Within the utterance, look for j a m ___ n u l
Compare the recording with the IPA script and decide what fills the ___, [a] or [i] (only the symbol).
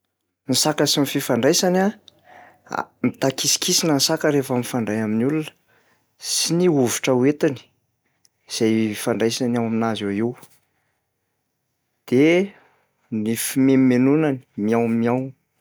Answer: i